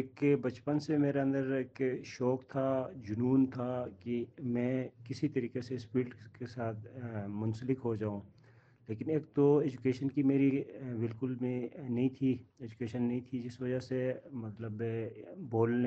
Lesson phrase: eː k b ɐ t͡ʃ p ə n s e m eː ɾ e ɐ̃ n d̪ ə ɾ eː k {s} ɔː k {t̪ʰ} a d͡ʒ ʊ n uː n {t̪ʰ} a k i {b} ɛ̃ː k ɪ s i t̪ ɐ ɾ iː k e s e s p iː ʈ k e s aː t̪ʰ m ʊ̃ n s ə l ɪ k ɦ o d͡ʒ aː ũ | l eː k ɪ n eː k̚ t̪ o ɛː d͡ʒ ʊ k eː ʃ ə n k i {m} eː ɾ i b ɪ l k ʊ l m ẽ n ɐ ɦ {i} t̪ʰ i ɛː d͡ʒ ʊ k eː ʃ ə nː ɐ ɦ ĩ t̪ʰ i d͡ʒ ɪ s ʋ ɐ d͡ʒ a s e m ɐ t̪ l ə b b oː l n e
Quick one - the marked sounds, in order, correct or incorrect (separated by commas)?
incorrect, correct, correct, incorrect, correct, incorrect